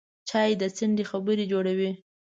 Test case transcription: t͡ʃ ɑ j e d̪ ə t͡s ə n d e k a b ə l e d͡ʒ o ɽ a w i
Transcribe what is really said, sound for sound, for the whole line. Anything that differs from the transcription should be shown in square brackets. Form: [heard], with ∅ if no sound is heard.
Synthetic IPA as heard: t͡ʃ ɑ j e d̪ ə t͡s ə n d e [x] a b ə [ɾ] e d͡ʒ o ɽ a w i